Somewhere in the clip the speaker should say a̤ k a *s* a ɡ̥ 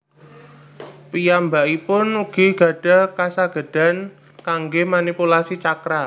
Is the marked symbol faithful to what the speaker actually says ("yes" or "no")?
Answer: yes